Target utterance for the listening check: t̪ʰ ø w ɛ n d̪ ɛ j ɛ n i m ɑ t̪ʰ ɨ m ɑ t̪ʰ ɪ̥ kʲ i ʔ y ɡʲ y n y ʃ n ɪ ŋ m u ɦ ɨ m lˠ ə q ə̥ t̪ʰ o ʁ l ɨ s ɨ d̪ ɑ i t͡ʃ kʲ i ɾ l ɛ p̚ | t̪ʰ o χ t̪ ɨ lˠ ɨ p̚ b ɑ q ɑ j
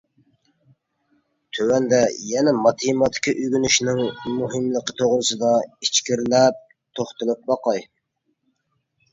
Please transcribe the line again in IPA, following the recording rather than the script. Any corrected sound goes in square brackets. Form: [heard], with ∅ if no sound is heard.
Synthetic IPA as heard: t̪ʰ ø w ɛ n d̪ ɛ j ɛ n [ɛ] m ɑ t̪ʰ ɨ m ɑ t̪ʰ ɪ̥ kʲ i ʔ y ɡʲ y n y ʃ n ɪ ŋ m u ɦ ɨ m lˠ ə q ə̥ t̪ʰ o ʁ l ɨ s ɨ d̪ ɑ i t͡ʃ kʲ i ɾ l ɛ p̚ | t̪ʰ o χ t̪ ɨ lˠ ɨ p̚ b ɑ q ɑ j